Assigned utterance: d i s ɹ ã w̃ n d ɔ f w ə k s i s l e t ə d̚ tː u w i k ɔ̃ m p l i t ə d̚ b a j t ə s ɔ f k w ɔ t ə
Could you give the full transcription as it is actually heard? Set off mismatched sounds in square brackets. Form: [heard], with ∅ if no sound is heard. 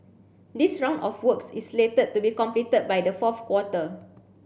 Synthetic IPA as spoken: d i s ɹ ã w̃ n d ɔ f w ə k s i s l e t ə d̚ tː u [b] i k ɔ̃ m p l i t ə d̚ b a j [d] ə [f] ɔ f k w ɔ t ə